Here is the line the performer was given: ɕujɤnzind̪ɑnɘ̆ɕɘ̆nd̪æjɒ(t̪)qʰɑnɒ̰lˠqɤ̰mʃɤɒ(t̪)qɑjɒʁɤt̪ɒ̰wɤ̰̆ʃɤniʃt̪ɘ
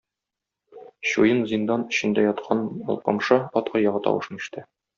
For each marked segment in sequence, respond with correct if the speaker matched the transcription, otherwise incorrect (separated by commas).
correct, correct